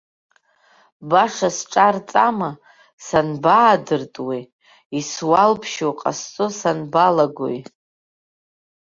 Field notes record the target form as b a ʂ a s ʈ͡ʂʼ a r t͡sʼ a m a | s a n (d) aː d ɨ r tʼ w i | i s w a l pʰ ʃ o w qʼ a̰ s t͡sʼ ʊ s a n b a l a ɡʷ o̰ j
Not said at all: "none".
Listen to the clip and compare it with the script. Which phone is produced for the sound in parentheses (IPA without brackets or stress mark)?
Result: b